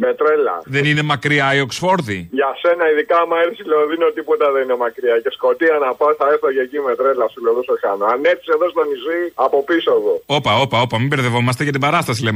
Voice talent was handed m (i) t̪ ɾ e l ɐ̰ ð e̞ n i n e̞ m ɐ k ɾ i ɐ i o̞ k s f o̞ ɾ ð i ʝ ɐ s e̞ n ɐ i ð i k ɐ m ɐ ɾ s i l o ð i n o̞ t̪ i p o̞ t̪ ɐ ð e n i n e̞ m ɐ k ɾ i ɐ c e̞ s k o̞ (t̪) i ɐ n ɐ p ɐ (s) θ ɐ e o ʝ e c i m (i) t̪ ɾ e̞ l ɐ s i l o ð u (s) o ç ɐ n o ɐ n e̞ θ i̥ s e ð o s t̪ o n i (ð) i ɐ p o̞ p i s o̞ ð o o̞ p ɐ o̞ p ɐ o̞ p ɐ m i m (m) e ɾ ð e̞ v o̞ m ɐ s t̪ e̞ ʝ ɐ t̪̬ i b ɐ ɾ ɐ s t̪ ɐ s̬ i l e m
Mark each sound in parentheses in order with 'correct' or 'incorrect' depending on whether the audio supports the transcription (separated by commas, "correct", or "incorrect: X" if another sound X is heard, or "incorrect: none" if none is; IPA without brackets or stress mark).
incorrect: e, correct, correct, incorrect: e, correct, incorrect: z, incorrect: b